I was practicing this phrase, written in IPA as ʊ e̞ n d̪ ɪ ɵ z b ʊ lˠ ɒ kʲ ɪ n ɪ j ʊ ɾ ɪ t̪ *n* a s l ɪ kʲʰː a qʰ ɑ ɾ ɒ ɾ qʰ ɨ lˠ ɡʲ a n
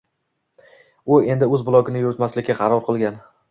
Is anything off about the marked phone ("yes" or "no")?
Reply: yes